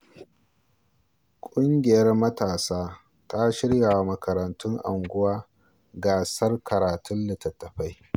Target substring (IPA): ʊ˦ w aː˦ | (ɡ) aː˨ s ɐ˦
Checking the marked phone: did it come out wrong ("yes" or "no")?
no